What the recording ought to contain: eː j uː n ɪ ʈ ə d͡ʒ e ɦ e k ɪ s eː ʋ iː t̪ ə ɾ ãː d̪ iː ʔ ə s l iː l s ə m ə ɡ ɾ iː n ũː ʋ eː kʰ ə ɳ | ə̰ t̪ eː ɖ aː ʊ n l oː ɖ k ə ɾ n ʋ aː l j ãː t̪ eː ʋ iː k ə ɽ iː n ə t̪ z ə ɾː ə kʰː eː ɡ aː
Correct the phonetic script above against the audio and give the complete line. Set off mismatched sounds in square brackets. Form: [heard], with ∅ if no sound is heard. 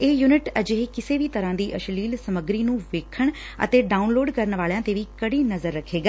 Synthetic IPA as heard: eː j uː n ɪ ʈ ə d͡ʒ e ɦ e k ɪ s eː ʋ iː t̪ ə ɾ ãː d̪ iː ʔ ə [ʃ] l iː l s ə m ə ɡ ɾ iː n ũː ʋ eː kʰ ə ɳ | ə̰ t̪ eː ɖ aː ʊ n l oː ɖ k ə ɾ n ʋ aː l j ãː t̪ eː ʋ iː k ə ɽ iː n ə [∅] z ə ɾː ə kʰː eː ɡ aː